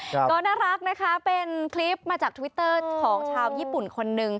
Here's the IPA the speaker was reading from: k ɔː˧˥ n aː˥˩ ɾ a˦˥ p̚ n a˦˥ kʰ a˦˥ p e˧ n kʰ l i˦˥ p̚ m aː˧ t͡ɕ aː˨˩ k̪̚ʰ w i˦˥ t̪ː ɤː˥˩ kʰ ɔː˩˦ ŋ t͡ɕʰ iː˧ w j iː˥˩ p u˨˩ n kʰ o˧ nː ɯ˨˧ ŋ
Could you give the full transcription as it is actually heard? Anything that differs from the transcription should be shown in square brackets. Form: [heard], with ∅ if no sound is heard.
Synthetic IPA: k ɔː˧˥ n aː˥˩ ɾ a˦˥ [k̚] n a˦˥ kʰ a˦˥ p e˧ n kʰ l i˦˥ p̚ m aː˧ t͡ɕ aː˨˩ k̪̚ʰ w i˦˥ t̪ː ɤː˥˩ kʰ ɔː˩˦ ŋ t͡ɕʰ [aː˧] w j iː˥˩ p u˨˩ n kʰ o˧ nː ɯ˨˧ ŋ